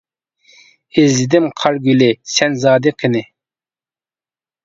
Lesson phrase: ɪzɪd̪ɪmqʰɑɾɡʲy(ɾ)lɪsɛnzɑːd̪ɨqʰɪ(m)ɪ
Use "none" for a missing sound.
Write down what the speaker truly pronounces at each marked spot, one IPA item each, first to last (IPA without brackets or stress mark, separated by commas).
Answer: none, n